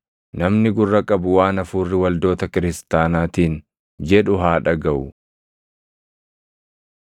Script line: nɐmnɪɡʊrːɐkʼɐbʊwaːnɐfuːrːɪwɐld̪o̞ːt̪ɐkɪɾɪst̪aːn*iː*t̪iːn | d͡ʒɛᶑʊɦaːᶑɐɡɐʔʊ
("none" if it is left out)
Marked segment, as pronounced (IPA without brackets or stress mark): aː